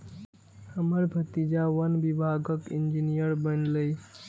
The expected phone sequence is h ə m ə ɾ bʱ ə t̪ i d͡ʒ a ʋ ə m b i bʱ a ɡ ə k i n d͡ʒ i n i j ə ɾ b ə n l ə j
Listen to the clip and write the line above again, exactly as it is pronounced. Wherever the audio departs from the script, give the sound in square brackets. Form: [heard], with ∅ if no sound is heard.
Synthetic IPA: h ə m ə ɾ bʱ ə t̪ i d͡ʒ a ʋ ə [n] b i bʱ a ɡ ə k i n d͡ʒ i n i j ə ɾ b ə n l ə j

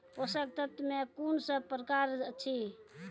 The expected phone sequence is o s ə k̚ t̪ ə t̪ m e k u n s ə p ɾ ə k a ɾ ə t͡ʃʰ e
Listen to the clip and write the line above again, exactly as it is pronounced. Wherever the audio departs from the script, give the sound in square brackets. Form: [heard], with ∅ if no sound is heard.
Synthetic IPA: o s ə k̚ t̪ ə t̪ m e k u n s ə p ɾ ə k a ɾ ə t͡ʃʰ [i]

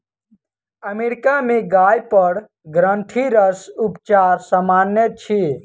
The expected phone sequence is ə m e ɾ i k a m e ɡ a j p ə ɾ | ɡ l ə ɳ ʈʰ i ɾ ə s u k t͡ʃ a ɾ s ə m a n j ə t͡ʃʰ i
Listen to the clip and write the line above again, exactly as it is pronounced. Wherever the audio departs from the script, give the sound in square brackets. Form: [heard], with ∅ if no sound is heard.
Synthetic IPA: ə m e ɾ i k a m e ɡ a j p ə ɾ | ɡ [ɾ] ə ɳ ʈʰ i ɾ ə s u [p] t͡ʃ a ɾ s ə m a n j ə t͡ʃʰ i

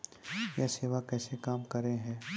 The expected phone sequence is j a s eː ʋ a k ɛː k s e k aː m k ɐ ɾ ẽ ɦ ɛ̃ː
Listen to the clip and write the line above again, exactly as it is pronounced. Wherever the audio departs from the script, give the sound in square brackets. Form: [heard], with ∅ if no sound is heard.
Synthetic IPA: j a s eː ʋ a k ɛː [∅] s e k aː m k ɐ ɾ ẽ ɦ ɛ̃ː

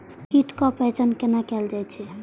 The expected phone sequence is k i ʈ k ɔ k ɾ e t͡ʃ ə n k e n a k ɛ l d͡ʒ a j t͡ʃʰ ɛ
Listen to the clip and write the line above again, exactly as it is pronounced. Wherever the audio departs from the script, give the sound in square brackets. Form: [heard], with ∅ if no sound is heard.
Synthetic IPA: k i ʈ k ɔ [p] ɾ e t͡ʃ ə n k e n a k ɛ l d͡ʒ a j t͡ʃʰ ɛ

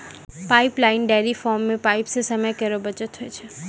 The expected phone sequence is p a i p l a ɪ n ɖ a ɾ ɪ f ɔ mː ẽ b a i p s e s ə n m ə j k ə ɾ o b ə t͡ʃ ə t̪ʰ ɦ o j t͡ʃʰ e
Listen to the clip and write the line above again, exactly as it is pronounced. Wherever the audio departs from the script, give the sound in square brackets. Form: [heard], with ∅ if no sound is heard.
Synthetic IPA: p a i p l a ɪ n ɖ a ɾ [i] f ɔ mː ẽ [p] a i p s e s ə [∅] m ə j k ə ɾ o b ə t͡ʃ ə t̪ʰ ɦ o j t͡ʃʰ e

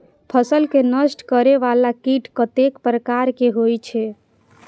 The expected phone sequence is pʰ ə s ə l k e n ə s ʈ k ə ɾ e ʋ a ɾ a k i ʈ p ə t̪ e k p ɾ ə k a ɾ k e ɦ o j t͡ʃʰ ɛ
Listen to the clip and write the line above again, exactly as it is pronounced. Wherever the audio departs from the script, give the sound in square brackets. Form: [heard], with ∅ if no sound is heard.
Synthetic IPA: pʰ ə s ə l k e n ə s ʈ k ə ɾ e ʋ a [l] a k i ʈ [k] ə t̪ e k p ɾ ə k a ɾ k e ɦ o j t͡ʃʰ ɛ

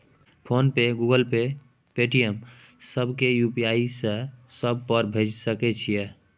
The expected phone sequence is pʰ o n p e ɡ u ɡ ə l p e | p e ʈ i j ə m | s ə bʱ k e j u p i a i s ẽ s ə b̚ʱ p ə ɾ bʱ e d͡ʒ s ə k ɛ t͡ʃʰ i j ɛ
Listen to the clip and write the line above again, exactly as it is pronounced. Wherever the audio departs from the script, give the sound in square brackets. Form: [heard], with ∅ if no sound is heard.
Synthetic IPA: pʰ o n p e ɡ u ɡ ə l p e | p e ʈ i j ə m | s ə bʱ k e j u p i a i s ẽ s ə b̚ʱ p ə ɾ bʱ e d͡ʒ s ə k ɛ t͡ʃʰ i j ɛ

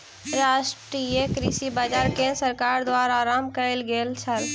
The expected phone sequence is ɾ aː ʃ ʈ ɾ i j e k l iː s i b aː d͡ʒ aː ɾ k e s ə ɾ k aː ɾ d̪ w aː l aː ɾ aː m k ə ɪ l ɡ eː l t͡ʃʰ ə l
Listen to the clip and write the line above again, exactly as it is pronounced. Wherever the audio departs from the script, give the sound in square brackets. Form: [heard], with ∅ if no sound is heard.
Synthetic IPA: ɾ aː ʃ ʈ ɾ i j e k [ɾ] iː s i b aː d͡ʒ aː ɾ k e s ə ɾ k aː ɾ d̪ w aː [ɾ] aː ɾ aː m k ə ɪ l ɡ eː l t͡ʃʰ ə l

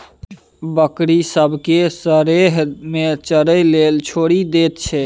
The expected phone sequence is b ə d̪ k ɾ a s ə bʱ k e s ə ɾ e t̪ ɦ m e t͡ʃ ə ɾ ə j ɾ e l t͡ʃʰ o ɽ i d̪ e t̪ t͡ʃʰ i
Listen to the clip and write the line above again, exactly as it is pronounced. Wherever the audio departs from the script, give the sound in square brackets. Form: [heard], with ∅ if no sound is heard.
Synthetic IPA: b ə [∅] k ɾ [i] s ə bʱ k e s ə ɾ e [∅] ɦ m e t͡ʃ ə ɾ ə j [l] e l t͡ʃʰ o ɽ i d̪ e t̪ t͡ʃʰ [ɛ]

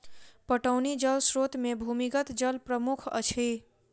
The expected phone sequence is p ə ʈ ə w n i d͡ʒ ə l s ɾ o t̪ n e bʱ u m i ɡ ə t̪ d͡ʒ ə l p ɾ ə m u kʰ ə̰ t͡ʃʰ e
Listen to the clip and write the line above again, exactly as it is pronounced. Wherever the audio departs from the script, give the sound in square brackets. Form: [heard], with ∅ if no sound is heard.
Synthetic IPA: p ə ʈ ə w n i d͡ʒ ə l s ɾ o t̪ [m] e bʱ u m i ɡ ə t̪ d͡ʒ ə l p ɾ ə m u kʰ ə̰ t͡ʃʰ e

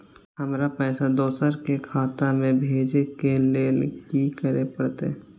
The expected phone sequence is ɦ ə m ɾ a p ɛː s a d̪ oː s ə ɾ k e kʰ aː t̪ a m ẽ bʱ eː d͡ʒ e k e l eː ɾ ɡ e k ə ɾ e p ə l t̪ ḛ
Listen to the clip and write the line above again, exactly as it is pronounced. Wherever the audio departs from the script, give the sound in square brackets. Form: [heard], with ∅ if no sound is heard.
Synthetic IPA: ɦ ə m ɾ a p ɛː s a d̪ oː s ə ɾ k e kʰ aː t̪ a m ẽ bʱ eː d͡ʒ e k e l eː [l] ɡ [i] k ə ɾ e p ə [ɽ] t̪ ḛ

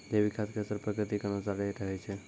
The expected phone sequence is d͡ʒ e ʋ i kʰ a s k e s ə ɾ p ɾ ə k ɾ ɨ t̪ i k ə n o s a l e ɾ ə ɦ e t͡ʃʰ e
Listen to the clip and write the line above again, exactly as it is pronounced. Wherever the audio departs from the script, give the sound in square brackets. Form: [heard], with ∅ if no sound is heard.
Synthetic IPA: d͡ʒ e ʋ i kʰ a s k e s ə ɾ p ɾ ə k ɾ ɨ t̪ i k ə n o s a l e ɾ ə ɦ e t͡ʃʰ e

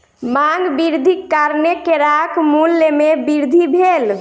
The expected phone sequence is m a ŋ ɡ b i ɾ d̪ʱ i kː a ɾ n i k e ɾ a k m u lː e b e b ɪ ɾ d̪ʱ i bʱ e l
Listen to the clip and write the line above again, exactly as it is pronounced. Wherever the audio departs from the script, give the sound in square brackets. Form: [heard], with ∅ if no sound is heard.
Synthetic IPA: m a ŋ ɡ b i ɾ d̪ʱ i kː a ɾ n [e] k e ɾ a k m u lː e [m] e b [i] ɾ d̪ʱ i bʱ e l

